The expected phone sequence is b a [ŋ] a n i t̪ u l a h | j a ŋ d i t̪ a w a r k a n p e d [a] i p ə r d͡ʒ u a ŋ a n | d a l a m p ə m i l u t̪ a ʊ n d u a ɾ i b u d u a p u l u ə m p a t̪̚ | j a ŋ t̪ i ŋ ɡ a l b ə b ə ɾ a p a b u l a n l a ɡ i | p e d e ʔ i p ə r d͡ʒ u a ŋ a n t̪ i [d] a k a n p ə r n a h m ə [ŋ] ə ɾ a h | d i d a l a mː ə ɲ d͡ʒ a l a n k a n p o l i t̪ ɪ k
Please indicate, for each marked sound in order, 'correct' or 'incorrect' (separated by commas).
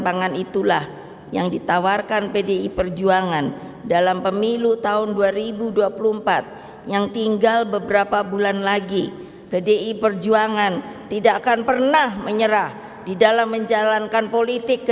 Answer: correct, incorrect, correct, incorrect